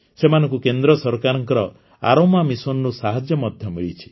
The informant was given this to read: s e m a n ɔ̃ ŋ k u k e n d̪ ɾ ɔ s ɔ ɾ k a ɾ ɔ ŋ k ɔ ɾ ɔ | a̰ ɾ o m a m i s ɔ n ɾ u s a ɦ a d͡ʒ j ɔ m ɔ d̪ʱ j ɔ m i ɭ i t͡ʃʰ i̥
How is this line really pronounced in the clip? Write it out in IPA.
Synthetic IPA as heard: s e m a n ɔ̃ ŋ k u k e n d̪ ɾ ɔ s ɔ ɾ k a ɾ ɔ ŋ k ɔ ɾ ɔ | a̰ ɾ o m a m i s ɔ n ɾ u s a ɦ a d͡ʒ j ɔ m ɔ d̪ʱ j ɔ m i ɭ i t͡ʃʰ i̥